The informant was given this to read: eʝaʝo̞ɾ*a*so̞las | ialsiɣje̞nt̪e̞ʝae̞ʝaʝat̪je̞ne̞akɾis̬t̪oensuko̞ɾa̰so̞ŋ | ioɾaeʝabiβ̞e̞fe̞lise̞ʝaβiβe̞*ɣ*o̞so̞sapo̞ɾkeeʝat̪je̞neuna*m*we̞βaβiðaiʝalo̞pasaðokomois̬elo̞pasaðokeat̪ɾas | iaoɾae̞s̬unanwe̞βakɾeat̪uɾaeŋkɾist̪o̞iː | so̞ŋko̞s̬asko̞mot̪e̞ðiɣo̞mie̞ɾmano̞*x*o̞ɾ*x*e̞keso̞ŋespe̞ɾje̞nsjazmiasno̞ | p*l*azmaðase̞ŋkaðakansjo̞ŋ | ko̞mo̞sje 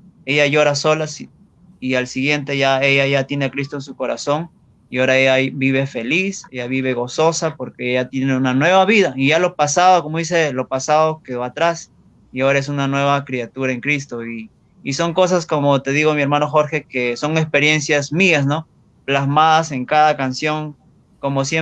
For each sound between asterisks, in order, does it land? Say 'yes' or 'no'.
yes, yes, no, yes, yes, yes

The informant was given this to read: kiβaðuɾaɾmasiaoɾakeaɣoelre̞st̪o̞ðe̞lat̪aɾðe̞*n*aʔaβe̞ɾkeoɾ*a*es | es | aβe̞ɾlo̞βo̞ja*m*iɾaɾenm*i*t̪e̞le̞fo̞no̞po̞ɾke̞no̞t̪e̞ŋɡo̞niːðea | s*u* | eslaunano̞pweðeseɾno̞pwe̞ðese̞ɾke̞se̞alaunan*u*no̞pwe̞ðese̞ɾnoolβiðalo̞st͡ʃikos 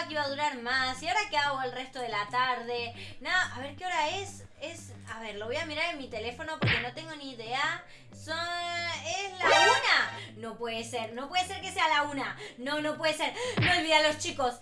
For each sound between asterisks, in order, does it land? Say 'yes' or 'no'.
yes, yes, yes, yes, no, no

